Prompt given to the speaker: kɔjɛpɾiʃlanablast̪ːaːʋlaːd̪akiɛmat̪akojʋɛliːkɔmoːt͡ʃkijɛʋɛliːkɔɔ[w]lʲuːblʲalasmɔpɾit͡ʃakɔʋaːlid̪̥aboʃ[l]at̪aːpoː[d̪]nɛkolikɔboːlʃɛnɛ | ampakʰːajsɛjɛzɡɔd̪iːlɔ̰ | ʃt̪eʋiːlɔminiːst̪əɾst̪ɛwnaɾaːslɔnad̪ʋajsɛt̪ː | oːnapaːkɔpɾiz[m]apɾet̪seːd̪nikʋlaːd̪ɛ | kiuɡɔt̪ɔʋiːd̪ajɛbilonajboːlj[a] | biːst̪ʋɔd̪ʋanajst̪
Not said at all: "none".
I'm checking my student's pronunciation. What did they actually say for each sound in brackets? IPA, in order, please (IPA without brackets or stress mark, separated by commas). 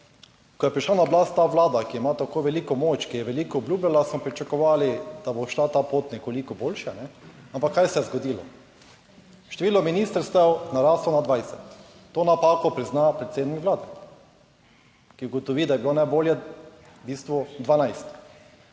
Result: b, l, t̪, n, ɛ